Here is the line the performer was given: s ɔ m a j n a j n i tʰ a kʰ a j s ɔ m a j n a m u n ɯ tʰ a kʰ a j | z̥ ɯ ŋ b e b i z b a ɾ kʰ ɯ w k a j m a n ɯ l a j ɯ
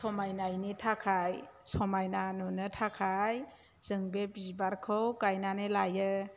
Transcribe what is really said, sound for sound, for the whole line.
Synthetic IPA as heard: s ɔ m a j n a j n i tʰ a kʰ a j s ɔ m a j n a n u n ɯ tʰ a kʰ a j | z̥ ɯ ŋ b e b i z b a ɾ kʰ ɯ w k a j n a n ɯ l a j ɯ